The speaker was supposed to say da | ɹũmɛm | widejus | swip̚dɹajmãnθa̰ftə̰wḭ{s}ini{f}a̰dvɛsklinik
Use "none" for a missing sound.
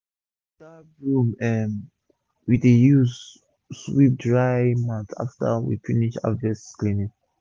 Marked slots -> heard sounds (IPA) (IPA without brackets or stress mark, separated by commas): f, ʃ